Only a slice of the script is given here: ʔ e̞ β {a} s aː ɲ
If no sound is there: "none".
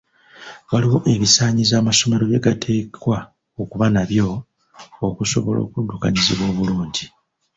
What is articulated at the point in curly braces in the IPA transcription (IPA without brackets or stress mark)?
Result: i